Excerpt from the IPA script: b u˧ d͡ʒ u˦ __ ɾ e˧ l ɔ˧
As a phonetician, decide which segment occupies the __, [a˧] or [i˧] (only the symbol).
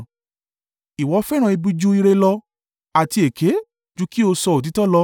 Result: i˧